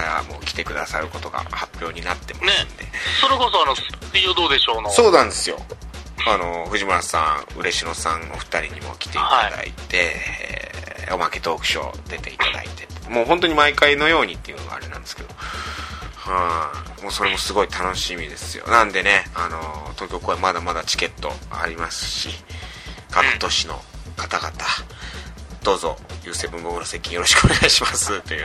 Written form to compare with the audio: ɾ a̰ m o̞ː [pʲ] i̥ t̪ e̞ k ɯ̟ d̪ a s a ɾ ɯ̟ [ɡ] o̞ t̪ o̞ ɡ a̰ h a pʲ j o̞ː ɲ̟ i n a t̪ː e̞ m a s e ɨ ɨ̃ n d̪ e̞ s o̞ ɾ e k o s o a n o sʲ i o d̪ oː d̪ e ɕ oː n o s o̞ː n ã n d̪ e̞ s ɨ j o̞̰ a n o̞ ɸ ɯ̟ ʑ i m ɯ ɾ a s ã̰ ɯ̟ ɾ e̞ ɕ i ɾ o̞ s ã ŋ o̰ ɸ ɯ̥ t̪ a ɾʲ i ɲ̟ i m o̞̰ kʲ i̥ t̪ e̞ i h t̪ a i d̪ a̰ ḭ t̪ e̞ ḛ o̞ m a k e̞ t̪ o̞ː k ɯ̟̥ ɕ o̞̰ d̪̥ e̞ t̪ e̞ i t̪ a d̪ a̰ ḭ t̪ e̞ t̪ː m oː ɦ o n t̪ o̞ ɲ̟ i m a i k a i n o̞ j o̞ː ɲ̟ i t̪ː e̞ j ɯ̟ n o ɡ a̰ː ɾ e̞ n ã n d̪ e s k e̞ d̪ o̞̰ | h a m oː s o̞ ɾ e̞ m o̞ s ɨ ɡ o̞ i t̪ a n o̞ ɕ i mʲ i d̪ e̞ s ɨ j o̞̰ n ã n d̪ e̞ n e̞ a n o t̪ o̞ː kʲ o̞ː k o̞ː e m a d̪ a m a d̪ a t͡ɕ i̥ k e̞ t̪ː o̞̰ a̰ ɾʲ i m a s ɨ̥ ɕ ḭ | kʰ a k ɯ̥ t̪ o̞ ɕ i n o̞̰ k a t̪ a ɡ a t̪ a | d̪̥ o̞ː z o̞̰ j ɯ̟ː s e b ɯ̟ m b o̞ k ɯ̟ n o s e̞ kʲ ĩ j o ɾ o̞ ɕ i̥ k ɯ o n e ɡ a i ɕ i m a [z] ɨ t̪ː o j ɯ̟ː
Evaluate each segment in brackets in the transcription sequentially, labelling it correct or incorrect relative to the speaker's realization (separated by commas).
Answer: incorrect, incorrect, incorrect